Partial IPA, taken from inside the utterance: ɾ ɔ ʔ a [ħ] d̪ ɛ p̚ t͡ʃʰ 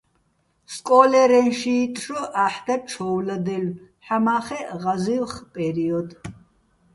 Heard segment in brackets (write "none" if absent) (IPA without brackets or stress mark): ħ